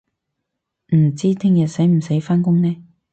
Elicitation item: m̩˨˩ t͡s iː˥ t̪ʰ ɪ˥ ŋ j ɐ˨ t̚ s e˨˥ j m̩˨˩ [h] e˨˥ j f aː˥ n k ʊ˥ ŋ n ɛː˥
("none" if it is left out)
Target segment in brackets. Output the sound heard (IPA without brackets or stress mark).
s